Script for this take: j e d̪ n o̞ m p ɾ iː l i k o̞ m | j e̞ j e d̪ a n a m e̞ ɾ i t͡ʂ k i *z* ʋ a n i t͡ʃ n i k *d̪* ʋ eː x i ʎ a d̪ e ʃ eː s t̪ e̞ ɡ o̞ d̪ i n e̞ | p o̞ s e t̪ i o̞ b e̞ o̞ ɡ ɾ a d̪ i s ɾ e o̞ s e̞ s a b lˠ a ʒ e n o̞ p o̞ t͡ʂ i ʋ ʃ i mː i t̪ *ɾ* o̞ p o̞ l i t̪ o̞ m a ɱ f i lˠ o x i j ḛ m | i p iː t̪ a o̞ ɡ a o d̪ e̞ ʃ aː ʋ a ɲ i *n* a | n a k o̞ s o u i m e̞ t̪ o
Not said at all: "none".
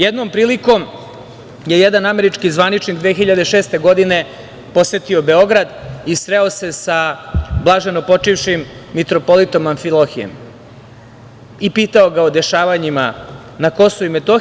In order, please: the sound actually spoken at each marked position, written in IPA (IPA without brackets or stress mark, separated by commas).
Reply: z, d̪, ɾ, m